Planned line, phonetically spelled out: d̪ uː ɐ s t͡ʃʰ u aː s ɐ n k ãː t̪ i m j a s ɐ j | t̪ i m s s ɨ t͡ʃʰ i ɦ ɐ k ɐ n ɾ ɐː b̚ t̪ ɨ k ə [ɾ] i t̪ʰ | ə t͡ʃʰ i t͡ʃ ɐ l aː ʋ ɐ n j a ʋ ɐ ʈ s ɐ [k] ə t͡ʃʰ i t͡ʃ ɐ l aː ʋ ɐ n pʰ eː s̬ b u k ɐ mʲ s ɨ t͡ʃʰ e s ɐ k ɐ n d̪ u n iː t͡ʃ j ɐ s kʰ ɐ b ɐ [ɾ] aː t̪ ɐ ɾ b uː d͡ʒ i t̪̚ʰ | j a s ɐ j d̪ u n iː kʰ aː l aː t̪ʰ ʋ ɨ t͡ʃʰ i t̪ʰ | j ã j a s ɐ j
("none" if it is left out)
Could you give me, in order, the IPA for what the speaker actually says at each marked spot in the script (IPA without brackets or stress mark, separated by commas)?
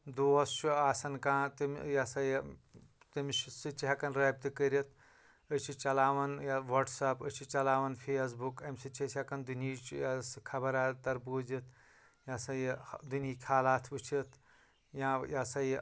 ɾ, p, ɾ